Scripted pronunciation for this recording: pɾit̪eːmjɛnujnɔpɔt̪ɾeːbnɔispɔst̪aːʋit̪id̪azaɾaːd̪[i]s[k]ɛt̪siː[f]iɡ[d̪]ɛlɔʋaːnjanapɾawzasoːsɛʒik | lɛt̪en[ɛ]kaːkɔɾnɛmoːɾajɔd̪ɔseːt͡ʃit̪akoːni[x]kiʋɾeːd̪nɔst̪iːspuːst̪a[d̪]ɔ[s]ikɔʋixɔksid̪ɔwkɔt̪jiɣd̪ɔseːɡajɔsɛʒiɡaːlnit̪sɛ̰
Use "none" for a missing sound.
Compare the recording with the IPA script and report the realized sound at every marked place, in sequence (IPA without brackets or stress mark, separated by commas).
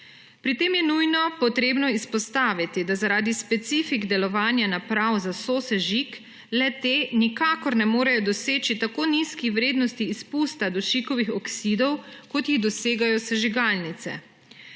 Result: i, p, f, d̪, i, s, d̪, ʃ